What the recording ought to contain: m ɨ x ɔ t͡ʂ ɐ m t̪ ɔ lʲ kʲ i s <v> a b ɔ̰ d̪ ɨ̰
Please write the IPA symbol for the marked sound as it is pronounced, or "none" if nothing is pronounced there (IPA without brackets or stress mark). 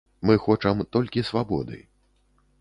v